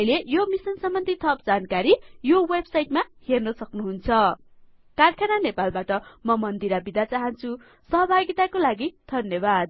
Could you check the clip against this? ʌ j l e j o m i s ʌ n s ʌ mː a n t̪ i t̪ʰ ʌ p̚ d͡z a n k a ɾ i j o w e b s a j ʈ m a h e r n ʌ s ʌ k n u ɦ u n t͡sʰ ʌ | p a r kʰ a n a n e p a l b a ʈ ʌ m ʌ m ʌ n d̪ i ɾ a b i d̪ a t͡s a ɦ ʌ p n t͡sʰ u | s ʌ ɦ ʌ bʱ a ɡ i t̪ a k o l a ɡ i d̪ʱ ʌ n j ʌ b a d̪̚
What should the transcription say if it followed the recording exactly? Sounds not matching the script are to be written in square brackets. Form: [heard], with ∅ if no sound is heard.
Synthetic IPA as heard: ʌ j l e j o m i s ʌ n s ʌ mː [ʌ] n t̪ i t̪ʰ ʌ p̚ d͡z a n k a ɾ i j o w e b s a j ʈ m a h e r n ʌ s ʌ k n u ɦ u n t͡sʰ ʌ | [k] a r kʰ a n a n e p a l b a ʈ ʌ m ʌ m ʌ n d̪ i ɾ a b i d̪ a t͡s a ɦ ʌ [∅] n t͡sʰ u | s ʌ ɦ ʌ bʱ a ɡ i t̪ a k o l a ɡ i d̪ʱ ʌ n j ʌ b a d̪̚